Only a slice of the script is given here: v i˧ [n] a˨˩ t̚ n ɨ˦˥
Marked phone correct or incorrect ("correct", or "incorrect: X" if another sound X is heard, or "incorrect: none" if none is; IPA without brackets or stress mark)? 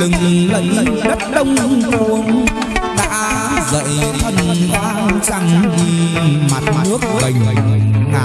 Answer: incorrect: m